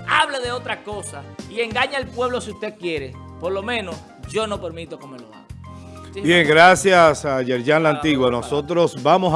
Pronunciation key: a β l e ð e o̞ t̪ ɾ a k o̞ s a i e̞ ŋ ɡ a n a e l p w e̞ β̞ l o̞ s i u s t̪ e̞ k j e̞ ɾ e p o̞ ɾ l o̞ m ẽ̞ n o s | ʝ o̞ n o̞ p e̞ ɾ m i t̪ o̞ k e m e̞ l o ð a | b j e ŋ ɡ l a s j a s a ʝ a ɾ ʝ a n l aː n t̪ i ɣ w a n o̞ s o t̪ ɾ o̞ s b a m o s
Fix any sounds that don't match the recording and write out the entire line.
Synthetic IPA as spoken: a β l e ð e o̞ t̪ ɾ a k o̞ s a i e̞ ŋ ɡ a ɲ a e l p w e̞ β̞ l o̞ s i u s t̪ e̞ k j e̞ ɾ e p o̞ ɾ l o̞ m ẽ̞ n o s | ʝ o̞ n o̞ p e̞ ɾ m i t̪ o̞ k e m e̞ l o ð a | b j e ŋ ɡ ɾ a s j a s a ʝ e ɾ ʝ a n l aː n t̪ i ɣ w a n o̞ s o t̪ ɾ o̞ s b a m o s